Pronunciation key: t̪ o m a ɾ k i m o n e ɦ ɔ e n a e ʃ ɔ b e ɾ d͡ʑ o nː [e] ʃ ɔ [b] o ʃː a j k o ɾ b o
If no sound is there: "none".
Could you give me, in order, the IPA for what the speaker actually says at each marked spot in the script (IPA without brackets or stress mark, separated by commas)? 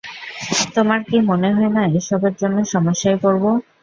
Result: e, m